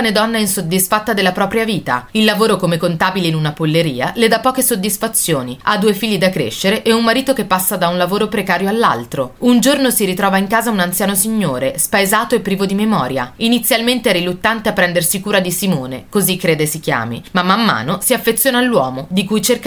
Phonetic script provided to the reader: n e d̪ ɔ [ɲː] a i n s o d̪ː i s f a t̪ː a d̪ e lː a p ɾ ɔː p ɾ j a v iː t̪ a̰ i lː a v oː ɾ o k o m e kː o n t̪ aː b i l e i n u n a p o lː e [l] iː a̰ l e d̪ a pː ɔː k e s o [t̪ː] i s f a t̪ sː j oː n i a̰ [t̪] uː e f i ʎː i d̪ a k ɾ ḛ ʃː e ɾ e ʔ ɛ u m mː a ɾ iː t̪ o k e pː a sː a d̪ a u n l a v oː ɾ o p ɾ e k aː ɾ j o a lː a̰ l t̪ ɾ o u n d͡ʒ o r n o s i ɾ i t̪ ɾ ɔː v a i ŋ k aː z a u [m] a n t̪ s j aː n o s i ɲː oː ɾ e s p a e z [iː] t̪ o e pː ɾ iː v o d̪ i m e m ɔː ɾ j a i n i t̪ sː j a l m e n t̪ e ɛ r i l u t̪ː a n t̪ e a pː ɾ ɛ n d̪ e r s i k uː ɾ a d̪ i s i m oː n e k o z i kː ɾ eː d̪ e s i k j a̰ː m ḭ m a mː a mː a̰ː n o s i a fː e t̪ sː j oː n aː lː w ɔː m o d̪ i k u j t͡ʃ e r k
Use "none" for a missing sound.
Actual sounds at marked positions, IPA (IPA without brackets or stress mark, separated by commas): nː, ɾ, d̪ː, d̪, n, aː